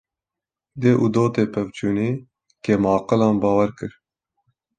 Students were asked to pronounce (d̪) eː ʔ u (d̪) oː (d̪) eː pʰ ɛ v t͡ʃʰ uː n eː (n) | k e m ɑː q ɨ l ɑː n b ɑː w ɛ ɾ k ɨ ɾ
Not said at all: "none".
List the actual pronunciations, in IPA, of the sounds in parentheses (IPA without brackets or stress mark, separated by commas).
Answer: d̪, d̪, t̪, none